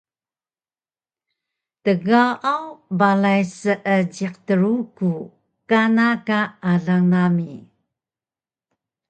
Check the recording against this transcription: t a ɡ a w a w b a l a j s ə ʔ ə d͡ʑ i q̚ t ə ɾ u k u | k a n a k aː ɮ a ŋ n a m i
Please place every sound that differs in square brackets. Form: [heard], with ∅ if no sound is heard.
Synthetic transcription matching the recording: t [ə] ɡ a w a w b a l a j s ə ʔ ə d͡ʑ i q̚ t ə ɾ u k u | k a n a k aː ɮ a ŋ n a m i